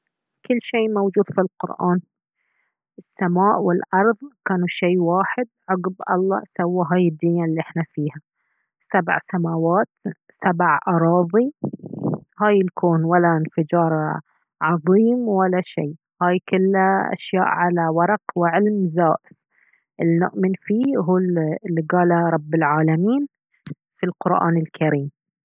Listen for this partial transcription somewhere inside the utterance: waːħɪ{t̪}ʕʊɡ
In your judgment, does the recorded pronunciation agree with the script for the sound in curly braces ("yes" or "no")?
no